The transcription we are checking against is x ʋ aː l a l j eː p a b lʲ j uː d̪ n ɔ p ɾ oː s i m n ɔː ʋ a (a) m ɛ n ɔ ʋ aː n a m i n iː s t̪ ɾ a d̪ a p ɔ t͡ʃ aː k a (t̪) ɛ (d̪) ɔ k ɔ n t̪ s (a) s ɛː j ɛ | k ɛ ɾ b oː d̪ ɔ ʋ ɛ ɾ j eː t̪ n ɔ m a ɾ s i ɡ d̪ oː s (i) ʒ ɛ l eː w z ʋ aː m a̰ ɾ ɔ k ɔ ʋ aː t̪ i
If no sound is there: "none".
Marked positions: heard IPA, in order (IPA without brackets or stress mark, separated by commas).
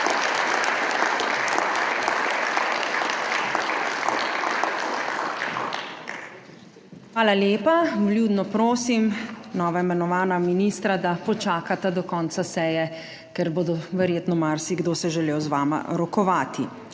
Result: i, t̪, d̪, a, ɛ